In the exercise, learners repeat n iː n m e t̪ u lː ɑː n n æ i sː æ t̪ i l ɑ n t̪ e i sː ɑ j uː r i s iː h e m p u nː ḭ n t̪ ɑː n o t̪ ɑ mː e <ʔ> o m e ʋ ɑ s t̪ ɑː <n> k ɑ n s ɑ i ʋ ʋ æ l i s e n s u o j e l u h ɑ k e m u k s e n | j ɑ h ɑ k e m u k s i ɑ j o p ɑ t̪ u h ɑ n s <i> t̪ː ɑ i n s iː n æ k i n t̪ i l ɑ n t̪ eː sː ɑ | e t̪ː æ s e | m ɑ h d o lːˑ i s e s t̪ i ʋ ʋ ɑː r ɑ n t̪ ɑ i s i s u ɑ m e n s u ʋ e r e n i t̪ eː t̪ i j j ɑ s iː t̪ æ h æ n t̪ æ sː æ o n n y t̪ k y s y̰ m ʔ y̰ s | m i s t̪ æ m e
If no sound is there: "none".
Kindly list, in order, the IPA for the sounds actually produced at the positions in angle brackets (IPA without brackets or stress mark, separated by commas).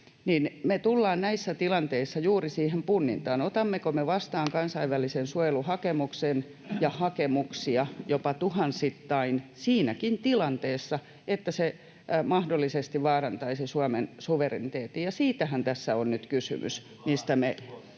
k, ŋ, i